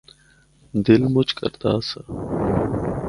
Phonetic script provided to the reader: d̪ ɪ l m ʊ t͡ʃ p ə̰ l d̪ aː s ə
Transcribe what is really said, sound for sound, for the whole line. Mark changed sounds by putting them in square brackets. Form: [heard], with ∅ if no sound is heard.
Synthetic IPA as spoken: d̪ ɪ l m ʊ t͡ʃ [k] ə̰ [ɾ] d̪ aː s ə